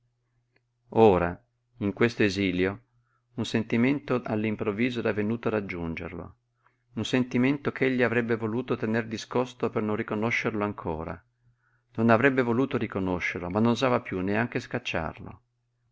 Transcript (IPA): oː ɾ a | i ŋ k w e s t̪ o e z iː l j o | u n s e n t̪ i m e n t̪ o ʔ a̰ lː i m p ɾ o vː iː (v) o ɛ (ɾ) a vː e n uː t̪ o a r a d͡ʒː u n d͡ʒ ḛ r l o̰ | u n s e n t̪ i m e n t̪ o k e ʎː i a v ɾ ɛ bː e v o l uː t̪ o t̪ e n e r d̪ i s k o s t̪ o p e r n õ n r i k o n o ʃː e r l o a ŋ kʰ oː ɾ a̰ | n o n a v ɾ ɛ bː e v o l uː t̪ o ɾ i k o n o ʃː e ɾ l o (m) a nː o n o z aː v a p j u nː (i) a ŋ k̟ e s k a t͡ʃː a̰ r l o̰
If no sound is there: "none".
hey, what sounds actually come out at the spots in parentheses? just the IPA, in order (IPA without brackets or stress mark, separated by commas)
z, ɾ, m, e